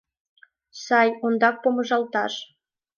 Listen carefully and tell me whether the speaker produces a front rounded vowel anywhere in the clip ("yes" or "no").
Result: no